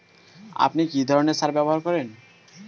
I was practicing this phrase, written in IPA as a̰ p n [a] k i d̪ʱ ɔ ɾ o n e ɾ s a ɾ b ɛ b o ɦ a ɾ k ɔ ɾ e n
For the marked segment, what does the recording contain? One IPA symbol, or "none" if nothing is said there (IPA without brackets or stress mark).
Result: i